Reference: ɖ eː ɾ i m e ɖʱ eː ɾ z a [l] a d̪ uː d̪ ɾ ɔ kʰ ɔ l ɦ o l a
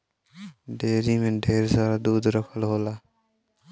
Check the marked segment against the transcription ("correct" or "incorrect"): incorrect